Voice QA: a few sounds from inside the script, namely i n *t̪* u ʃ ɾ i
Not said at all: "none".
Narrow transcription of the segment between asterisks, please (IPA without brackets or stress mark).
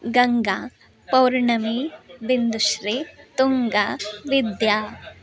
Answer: d̪